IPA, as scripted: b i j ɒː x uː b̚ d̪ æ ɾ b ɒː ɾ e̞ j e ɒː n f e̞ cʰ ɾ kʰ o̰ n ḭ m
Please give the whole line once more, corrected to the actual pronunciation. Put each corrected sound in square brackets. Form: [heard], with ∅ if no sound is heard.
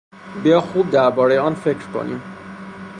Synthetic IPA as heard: b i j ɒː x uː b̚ d̪ æ ɾ b ɒː ɾ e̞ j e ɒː n f e̞ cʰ ɾ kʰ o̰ n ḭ m